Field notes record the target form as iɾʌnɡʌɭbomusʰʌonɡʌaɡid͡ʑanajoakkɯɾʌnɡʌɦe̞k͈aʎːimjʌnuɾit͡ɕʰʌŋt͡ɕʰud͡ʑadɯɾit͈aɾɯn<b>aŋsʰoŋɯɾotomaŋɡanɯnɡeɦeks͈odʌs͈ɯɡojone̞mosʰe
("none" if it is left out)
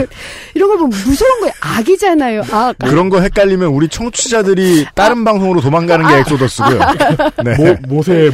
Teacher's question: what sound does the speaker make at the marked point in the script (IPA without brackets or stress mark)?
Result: b